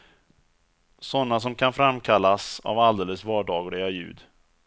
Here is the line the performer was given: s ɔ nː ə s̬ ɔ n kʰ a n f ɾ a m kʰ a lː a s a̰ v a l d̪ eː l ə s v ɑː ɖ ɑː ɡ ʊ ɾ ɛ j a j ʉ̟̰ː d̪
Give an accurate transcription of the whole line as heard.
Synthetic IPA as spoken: s ɔ nː a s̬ ɔ m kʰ a n f ɾ a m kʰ a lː a s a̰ v a l d̪ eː l ə s v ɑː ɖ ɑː ɡ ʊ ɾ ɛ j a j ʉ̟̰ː d̪